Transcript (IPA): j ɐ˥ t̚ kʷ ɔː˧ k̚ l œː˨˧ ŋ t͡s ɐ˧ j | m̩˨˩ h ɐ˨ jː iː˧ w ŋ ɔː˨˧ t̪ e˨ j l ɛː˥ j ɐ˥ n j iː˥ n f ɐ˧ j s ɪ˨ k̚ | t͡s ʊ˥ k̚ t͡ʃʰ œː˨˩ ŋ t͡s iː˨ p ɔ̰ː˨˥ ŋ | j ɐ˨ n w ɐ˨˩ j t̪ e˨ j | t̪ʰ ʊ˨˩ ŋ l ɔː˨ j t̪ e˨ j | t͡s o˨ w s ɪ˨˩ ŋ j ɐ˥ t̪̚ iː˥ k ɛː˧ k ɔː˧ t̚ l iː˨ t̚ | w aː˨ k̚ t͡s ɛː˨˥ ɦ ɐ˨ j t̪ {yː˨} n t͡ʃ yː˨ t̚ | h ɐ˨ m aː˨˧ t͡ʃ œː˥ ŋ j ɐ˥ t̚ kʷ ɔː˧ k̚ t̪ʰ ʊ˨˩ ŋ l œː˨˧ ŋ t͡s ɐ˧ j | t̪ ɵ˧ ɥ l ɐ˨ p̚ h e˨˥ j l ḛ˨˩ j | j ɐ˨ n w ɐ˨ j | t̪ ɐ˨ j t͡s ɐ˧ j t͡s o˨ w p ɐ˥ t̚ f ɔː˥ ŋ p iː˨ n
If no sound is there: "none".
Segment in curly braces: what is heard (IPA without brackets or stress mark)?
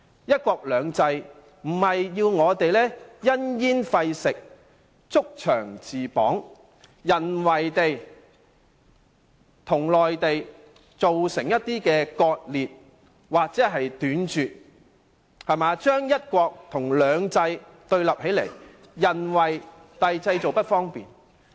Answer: yː˨˥